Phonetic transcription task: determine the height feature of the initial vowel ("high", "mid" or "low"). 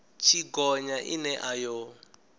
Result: high